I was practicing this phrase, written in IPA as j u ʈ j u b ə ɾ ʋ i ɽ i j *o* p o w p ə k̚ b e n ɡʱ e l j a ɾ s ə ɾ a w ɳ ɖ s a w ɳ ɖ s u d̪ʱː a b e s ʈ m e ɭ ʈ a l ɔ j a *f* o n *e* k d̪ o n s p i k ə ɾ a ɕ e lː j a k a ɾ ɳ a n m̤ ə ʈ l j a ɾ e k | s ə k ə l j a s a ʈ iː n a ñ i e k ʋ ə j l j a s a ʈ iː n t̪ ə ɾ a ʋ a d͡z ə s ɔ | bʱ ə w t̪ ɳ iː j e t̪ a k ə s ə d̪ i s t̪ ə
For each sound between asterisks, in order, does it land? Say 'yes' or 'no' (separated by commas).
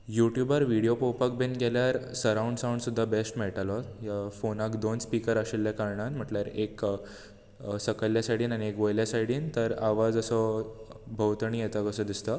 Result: yes, yes, no